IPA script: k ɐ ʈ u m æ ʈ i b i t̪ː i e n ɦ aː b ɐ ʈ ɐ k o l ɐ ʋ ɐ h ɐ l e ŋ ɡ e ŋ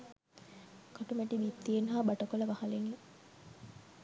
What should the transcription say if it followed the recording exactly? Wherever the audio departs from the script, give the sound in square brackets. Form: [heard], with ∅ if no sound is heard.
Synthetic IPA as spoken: k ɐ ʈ u m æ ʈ i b i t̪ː i e n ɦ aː b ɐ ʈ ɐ k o l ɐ ʋ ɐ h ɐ l e ŋ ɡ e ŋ